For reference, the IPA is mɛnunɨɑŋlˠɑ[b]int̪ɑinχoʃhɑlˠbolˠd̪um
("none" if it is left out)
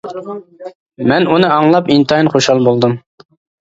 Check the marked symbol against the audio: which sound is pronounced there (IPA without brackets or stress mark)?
p